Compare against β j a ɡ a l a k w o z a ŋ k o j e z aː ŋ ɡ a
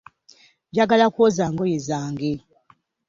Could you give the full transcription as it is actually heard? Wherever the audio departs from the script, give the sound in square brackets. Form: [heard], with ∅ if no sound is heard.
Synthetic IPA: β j a ɡ a l a k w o z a ŋ [ɡ] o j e z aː ŋ ɡ [e]